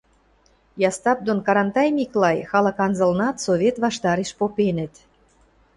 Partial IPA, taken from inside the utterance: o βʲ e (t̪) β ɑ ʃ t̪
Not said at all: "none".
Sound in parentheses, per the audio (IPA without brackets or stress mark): t̪